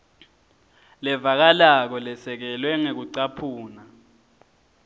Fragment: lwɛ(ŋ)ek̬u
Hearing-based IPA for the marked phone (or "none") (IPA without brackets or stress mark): ŋ